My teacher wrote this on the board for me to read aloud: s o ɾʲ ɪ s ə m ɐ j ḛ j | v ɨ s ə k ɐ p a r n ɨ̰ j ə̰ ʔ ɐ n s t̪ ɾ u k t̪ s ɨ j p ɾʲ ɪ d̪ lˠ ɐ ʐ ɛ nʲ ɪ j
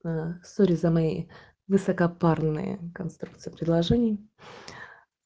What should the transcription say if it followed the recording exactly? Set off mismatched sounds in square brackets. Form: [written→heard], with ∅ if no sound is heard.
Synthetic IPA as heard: s o ɾʲ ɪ [s→z] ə m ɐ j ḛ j | v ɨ s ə k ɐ p a r n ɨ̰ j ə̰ [ʔ→k] ɐ n s t̪ ɾ u k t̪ s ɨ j p ɾʲ ɪ d̪ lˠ ɐ ʐ ɛ nʲ ɪ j